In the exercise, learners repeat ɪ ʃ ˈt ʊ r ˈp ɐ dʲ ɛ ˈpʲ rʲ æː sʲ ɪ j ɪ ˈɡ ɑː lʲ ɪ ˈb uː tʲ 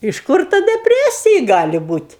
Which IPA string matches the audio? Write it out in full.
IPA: ɪ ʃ ˈk ʊ r ˈt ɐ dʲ ɛ ˈpʲ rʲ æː sʲ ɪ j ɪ ˈɡ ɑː lʲ ɪ ˈb uː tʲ